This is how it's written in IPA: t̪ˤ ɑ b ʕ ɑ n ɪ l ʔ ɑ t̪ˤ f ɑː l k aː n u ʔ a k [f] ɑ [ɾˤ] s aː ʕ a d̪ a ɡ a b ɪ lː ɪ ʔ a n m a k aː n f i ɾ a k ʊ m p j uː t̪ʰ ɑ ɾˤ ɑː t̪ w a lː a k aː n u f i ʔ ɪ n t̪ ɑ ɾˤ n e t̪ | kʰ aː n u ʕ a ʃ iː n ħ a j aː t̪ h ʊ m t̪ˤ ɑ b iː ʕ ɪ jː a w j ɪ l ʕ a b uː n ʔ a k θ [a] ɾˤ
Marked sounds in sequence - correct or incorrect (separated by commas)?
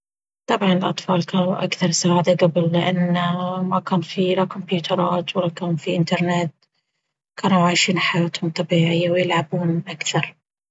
incorrect, correct, incorrect